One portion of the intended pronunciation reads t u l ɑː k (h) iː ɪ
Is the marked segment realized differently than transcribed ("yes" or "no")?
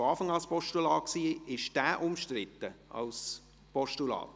yes